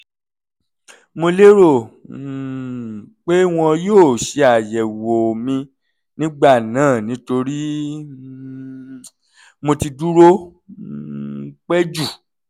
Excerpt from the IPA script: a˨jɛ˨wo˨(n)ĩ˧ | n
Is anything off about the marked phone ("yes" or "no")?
yes